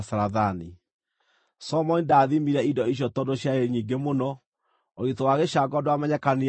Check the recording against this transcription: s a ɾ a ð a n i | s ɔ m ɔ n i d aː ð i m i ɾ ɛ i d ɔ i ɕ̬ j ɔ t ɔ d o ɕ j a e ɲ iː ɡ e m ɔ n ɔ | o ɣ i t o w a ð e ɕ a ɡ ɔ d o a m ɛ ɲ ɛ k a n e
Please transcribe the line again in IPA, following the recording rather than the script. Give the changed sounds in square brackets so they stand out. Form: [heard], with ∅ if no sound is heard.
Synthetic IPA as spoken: s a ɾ a ð a n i | s ɔ m ɔ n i d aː ð i m i ɾ ɛ i d ɔ i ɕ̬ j ɔ t ɔ d o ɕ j a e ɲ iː ɡ e m [o] n ɔ | o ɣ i t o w a [ɣ] e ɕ a ɡ ɔ d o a m ɛ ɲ ɛ k a n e